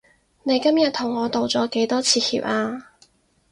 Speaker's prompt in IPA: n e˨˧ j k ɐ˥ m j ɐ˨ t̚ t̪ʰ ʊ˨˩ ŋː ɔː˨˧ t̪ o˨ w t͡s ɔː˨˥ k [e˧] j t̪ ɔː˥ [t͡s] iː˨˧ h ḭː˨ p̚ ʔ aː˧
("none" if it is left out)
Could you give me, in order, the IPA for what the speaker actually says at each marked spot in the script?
e˨˥, t͡sʰ

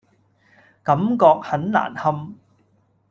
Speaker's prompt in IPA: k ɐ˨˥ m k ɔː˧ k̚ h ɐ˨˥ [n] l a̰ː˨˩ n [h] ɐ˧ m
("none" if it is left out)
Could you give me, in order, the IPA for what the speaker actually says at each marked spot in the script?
n, h

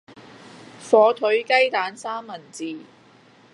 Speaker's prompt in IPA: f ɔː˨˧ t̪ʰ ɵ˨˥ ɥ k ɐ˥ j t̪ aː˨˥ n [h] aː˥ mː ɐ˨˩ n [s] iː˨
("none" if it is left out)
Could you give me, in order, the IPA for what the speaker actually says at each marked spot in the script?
s, t͡s

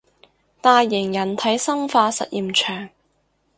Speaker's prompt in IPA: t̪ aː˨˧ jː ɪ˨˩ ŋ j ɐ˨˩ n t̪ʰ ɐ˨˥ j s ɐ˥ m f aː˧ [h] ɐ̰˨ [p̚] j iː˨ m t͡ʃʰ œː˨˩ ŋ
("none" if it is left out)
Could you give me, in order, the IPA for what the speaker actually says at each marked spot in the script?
s, t̚

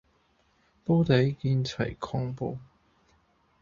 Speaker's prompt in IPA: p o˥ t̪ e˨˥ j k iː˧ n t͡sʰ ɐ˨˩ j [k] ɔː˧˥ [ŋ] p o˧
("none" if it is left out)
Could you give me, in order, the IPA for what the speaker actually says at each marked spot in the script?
kʰ, ŋ

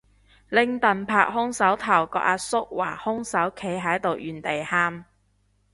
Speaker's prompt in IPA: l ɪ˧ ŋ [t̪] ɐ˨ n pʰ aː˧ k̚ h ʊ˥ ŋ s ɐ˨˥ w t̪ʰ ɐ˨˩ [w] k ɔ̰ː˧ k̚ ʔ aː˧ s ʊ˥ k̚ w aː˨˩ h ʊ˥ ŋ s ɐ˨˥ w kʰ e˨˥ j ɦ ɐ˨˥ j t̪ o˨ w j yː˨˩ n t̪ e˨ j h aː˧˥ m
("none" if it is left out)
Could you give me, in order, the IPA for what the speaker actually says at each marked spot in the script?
t̪, w

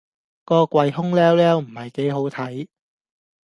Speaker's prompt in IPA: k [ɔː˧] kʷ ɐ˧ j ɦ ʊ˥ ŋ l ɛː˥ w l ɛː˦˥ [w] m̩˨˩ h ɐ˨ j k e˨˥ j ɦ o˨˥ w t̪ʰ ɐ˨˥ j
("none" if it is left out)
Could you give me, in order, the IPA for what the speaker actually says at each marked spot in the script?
ɔː˧, w

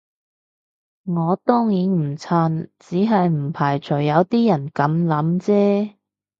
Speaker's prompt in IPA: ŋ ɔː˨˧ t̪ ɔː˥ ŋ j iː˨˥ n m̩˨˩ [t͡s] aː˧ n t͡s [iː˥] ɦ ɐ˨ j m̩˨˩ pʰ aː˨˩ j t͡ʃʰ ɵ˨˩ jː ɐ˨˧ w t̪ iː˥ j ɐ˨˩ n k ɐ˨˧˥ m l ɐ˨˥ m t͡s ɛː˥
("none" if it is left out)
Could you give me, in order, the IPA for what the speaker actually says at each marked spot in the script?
t͡sʰ, iː˨˥

